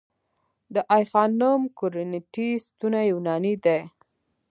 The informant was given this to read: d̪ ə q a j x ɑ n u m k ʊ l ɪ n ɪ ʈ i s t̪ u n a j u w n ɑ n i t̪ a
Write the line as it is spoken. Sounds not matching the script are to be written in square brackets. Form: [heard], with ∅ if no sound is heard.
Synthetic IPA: d̪ ə [ʔ] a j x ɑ n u m k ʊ [ɾ] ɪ n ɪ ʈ i s t̪ u n a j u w n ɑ n i [d̪] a